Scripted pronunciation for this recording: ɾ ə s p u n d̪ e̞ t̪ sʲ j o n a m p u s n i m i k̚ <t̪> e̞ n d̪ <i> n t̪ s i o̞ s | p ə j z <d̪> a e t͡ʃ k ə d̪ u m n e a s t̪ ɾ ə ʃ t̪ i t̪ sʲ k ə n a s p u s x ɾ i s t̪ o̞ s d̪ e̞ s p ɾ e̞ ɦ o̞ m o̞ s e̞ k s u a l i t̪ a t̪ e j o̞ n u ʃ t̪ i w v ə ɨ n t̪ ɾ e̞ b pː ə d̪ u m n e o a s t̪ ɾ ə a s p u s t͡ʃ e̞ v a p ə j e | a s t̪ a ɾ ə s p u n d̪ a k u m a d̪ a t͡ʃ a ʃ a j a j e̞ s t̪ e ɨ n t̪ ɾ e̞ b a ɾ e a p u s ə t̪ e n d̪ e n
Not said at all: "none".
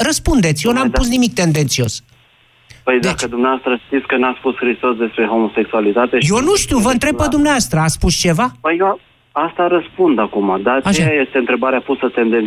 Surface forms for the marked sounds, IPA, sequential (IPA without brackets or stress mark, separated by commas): t̪, e, d̪